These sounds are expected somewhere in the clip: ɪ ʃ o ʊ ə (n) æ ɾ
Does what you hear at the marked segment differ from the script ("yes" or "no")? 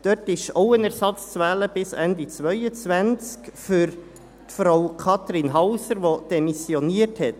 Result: no